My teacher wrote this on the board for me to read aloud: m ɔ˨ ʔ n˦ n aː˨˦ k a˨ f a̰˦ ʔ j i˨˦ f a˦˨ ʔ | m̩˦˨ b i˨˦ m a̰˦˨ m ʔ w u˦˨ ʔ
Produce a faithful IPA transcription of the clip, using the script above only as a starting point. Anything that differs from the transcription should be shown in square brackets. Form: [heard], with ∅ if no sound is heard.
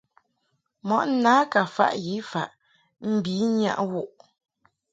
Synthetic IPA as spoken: m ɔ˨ ʔ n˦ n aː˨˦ k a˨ f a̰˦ ʔ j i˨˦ f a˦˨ ʔ | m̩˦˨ b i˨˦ [ɲ] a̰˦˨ [∅] ʔ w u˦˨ ʔ